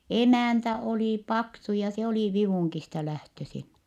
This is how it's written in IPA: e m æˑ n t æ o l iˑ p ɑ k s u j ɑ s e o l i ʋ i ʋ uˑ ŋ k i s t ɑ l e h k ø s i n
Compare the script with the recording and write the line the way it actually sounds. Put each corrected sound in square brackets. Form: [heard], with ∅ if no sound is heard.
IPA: e m æˑ n t æ o l iˑ p ɑ k s u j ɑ s e o l i ʋ i ʋ uˑ ŋ k i s t ɑ l [æ] h [t] ø s i n